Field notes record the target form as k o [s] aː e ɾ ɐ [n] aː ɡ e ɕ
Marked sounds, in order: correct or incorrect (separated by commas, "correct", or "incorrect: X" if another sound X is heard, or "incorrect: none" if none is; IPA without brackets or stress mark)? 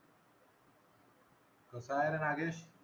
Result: correct, correct